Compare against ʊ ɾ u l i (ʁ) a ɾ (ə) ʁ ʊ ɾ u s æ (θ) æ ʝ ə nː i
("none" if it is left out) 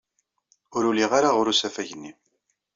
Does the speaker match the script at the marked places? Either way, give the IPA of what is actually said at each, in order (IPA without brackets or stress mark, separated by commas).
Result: ʁ, a, f